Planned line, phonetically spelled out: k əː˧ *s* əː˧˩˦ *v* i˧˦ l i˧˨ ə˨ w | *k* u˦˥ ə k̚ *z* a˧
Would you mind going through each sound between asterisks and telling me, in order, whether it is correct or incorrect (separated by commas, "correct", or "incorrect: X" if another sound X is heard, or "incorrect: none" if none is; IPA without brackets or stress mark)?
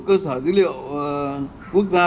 correct, incorrect: z, correct, correct